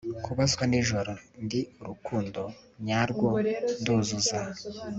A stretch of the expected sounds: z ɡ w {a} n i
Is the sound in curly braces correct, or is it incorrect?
correct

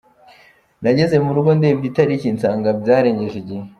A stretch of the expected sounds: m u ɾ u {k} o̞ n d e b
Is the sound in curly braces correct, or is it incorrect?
incorrect: ɡ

